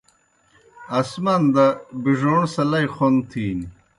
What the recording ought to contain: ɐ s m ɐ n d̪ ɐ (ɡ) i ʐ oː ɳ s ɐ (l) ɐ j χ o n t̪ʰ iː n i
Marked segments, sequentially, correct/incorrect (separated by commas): incorrect, correct